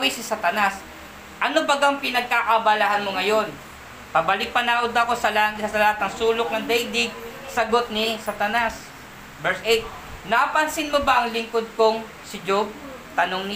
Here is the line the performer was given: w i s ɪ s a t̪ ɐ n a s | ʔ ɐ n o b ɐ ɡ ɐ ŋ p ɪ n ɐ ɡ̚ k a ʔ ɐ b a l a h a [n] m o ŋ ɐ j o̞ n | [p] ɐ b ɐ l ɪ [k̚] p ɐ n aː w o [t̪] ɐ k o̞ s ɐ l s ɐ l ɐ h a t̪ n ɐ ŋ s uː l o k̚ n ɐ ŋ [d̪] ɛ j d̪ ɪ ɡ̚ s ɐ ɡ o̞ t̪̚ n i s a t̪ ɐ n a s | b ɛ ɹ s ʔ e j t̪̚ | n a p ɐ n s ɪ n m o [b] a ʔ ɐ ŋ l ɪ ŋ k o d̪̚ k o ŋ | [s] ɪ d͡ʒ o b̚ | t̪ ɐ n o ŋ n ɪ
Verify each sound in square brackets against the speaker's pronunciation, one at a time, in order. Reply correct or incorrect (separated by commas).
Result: correct, correct, correct, incorrect, correct, correct, correct